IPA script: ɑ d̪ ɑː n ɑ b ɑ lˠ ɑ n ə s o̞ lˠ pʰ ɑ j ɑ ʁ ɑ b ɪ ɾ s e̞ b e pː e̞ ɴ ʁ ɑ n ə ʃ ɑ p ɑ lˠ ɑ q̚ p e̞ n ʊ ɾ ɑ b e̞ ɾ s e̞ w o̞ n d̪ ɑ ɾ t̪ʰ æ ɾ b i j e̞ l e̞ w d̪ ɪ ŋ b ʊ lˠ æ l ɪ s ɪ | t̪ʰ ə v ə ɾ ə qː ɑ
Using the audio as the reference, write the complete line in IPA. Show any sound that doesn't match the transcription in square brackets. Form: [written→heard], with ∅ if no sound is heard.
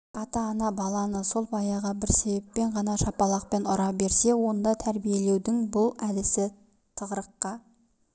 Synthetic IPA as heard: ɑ [d̪→t̪] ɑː n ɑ b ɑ lˠ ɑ n ə s o̞ lˠ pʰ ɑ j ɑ ʁ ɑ b ɪ ɾ s e̞ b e pː e̞ ɴ ʁ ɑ n [ə→ɑ] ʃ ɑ p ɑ lˠ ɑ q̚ p e̞ n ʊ ɾ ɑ b e̞ ɾ s e̞ w o̞ n d̪ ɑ [ɾ→∅] t̪ʰ æ ɾ b i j e̞ l e̞ w d̪ ɪ ŋ b ʊ lˠ æ l ɪ s ɪ | t̪ʰ ə [v→ʁ] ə ɾ ə qː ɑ